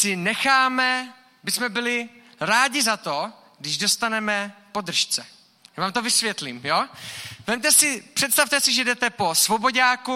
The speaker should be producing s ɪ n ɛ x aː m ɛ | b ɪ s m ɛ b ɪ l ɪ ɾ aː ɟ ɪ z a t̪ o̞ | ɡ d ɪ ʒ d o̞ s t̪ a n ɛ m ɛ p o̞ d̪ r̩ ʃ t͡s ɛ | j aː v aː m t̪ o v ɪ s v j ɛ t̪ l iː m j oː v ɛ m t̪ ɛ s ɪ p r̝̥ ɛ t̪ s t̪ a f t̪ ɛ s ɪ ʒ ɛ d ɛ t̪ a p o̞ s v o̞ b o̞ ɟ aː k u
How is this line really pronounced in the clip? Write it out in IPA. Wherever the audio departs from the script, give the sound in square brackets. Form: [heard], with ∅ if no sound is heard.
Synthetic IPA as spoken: s ɪ n ɛ x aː m ɛ | b ɪ s m ɛ b ɪ l ɪ ɾ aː ɟ ɪ z a t̪ o̞ | ɡ d ɪ ʒ d o̞ s t̪ a n ɛ m ɛ p o̞ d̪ r̩ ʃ t͡s ɛ | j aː v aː m t̪ o v ɪ s v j ɛ t̪ l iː m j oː v ɛ m t̪ ɛ s ɪ p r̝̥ ɛ t̪ s t̪ a f t̪ ɛ s ɪ ʒ ɛ d ɛ t̪ [ɛ] p o̞ s v o̞ b o̞ ɟ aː k u